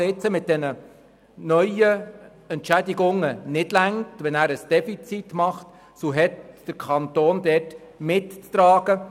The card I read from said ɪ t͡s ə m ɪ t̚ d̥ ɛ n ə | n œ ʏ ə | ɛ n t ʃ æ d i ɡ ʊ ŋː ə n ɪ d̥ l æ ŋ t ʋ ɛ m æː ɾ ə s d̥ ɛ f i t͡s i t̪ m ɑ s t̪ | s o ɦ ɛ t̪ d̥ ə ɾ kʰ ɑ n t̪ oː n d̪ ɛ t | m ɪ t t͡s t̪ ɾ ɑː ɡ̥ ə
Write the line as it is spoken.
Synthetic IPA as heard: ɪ t͡s ə m ɪ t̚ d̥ ɛ n ə | n œ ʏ ə | ɛ n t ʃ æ d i ɡ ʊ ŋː ə n ɪ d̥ l æ ŋ t ʋ ɛ n æː ɾ ə s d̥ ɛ f i t͡s i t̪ m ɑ χ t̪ | s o ɦ ɛ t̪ d̥ ə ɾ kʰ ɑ n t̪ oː n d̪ ɛ t | m ɪ t t͡s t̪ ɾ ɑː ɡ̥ ə